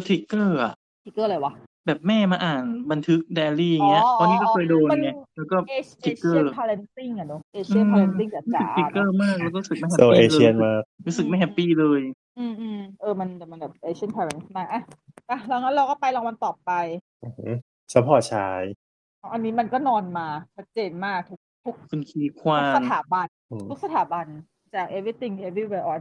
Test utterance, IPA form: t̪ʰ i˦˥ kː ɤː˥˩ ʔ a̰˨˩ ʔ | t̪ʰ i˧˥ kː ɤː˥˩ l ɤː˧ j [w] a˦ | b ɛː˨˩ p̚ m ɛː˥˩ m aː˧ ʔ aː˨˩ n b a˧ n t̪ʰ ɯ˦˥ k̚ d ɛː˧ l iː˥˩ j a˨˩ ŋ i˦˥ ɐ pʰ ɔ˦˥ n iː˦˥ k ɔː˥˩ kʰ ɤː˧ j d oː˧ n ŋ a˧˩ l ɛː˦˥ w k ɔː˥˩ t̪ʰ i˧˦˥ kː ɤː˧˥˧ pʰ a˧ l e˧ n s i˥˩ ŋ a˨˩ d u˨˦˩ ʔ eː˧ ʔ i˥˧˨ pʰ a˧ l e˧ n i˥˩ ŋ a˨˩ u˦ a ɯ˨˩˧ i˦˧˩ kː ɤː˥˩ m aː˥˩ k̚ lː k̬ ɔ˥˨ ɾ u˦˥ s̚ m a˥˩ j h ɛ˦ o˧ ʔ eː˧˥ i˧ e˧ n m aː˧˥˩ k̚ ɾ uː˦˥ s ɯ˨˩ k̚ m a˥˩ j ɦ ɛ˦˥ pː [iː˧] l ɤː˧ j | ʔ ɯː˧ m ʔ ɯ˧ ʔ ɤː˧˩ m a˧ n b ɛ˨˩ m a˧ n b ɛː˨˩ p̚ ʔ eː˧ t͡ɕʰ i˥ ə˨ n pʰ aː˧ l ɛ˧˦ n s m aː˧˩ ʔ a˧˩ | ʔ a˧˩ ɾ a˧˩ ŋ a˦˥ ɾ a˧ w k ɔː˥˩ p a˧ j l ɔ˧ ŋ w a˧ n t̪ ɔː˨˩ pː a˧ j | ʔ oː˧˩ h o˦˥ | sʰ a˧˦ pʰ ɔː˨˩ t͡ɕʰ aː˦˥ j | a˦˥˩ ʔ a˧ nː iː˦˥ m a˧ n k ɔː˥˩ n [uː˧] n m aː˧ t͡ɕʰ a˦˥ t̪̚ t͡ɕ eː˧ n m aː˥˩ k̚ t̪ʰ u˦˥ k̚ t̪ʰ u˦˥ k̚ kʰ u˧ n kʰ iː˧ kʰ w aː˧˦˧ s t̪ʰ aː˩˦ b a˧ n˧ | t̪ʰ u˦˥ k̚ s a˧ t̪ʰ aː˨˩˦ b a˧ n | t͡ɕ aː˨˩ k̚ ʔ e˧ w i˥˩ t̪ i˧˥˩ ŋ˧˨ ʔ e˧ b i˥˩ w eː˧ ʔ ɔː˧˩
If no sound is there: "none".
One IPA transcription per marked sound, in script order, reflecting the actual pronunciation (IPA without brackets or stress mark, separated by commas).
w, iː˥˩, ɔː˧